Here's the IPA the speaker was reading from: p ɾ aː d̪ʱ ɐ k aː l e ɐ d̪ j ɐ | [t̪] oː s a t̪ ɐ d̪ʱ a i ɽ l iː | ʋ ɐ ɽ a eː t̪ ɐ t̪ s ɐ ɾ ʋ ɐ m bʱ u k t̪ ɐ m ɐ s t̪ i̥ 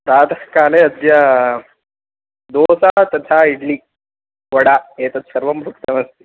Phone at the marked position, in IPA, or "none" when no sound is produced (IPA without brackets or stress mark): d̪